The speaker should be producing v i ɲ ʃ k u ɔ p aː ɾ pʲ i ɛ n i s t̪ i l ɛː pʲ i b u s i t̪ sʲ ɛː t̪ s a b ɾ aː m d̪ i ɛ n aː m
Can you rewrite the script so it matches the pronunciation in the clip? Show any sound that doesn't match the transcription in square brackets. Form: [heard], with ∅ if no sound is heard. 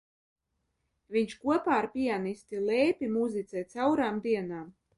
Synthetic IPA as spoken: v i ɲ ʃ k u ɔ p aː ɾ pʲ i [a] n i s t̪ i l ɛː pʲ i [m] u [z] i t̪ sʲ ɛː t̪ s a [w] ɾ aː m d̪ i ɛ n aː m